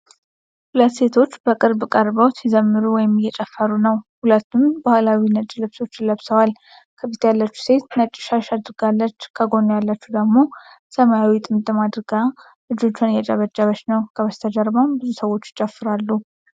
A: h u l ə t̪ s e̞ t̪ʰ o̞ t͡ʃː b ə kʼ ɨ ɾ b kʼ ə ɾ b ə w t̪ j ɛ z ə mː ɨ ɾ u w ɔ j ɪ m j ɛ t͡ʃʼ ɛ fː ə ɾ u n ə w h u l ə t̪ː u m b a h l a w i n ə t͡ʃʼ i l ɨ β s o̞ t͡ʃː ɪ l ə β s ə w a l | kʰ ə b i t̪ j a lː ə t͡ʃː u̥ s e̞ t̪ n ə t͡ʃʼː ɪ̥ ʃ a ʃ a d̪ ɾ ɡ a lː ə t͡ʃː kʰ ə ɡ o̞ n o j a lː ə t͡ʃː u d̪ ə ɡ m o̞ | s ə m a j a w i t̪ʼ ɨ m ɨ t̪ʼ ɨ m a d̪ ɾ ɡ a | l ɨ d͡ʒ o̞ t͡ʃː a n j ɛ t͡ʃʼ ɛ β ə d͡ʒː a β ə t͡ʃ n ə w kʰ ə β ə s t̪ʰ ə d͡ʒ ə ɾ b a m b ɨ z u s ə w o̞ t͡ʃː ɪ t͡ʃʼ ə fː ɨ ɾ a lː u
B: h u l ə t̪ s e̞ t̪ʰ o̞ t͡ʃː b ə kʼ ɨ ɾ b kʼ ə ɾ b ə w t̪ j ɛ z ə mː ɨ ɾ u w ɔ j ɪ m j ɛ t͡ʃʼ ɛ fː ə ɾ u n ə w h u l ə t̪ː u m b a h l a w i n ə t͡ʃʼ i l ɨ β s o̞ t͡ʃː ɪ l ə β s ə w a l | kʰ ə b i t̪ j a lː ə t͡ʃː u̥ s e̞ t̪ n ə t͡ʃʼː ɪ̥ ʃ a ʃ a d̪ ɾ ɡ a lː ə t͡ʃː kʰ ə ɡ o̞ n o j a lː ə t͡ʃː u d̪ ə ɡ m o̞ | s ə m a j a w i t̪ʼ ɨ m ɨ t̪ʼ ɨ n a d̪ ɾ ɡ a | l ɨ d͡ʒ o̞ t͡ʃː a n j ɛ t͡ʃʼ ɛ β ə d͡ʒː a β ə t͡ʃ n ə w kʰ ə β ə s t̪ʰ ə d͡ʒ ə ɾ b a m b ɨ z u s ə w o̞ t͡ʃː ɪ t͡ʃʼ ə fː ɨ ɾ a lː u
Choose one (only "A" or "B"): A